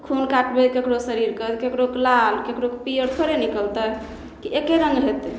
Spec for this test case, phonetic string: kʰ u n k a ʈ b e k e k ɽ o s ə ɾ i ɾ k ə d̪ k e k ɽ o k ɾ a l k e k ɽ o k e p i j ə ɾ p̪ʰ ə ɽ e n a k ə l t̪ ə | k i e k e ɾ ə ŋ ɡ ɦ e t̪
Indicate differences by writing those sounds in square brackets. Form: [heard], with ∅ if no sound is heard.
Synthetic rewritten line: kʰ u n k a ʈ b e k e k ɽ o s ə ɾ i ɾ k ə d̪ k e k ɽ o k [l] a l k e k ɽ o k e p i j ə ɾ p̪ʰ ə [ɾ] e n [i] k ə l t̪ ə | k i e k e ɾ ə ŋ ɡ ɦ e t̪